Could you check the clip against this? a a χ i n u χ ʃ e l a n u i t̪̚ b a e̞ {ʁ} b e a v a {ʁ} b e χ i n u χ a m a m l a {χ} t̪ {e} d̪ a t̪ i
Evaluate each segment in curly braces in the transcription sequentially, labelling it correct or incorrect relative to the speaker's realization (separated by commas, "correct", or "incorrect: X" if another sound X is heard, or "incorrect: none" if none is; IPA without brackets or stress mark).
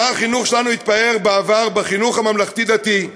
correct, correct, correct, incorrect: i